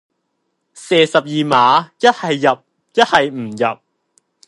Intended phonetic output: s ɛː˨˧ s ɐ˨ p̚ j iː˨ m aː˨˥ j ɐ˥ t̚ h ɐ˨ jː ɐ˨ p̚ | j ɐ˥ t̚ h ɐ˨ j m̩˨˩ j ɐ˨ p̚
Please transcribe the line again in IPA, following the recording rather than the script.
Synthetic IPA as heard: s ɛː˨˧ s ɐ˨ p̚ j iː˨ m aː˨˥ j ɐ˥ t̚ h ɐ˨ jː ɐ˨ p̚ | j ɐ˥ t̚ h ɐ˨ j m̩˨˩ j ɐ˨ p̚